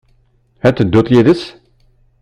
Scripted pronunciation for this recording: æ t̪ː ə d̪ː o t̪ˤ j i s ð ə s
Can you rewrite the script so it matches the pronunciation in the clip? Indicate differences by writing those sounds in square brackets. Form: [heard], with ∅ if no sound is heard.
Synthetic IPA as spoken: æ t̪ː ə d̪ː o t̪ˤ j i [∅] ð ə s